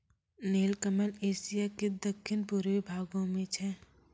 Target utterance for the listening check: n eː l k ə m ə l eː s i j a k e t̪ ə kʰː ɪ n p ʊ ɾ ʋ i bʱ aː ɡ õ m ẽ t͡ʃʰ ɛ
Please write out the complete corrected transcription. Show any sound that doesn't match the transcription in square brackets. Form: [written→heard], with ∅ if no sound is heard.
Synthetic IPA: n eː l k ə m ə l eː s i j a k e [t̪→d̪] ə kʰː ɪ n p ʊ ɾ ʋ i bʱ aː ɡ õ m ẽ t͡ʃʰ ɛ